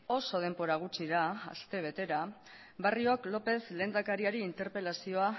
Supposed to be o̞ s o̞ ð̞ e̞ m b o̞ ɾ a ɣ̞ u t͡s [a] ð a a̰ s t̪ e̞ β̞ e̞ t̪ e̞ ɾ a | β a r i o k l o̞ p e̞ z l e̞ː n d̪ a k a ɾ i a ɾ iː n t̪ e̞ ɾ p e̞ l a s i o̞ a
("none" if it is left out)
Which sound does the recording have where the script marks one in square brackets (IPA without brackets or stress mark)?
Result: i